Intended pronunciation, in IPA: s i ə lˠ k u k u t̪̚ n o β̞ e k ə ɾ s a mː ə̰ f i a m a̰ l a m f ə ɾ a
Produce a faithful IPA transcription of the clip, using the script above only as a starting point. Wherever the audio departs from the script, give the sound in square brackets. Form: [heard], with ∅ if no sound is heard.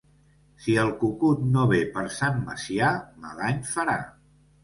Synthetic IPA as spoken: s i ə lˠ k u k u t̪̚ n o β̞ e [p] ə ɾ s a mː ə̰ [s] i a m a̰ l a [ɲ] f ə ɾ a